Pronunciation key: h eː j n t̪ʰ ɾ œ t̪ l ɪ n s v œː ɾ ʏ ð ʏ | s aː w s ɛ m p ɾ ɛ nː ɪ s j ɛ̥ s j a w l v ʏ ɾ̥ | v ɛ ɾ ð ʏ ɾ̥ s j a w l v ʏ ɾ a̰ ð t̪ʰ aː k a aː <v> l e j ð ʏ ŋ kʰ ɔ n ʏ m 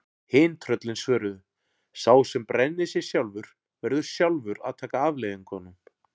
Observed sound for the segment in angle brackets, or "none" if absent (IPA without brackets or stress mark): v